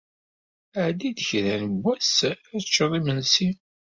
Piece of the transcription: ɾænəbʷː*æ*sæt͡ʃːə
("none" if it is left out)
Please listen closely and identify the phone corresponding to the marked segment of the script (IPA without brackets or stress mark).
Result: æ